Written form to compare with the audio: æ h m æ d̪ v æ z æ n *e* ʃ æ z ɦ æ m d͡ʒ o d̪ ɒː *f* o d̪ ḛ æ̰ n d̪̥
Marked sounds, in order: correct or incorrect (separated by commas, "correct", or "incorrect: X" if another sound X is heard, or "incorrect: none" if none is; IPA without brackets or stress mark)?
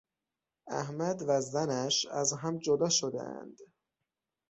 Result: incorrect: æ, incorrect: ʃ